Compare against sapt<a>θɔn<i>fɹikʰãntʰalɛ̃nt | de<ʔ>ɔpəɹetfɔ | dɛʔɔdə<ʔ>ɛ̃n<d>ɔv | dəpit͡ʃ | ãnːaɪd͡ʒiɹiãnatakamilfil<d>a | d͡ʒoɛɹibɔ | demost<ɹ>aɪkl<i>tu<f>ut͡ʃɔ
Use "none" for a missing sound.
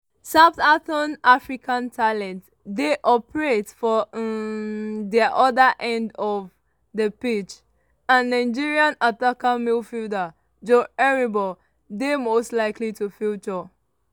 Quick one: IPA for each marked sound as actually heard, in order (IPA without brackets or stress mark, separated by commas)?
a, a, ʔ, ʔ, d, d, l, i, f